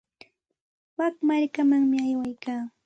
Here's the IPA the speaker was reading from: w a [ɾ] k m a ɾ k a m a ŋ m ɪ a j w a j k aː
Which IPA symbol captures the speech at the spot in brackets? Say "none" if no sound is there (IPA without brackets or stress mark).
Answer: none